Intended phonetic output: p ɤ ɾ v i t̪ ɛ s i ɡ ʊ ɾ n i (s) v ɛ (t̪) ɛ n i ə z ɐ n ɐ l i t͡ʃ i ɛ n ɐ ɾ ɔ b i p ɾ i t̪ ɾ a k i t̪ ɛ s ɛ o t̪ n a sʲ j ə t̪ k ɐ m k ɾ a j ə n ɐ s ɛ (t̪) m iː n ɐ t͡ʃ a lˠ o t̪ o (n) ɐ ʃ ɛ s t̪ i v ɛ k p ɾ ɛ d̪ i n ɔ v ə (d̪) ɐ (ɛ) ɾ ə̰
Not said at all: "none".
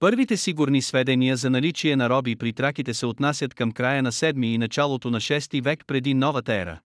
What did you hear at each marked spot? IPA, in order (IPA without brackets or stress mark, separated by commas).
s, d̪, d̪, n, t̪, ɛ